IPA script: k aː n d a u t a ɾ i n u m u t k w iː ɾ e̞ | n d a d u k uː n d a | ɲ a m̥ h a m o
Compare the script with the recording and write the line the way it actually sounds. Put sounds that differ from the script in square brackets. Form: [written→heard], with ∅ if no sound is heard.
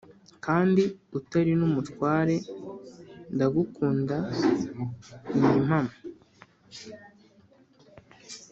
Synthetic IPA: k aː n d [a→i] u t a ɾ i n u m u t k w [iː→aː] ɾ e̞ | n d a [d→ɡ] u k uː n d a | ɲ [a→i] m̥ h a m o